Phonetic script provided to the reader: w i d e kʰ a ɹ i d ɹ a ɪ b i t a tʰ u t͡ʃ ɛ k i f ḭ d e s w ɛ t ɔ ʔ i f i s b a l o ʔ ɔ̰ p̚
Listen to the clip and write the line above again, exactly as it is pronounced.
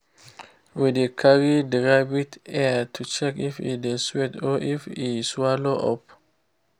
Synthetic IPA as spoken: w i d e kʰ a ɹ i d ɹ a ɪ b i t ɛ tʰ u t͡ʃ ɛ k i f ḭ d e s w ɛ t ɔ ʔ i f i s w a l o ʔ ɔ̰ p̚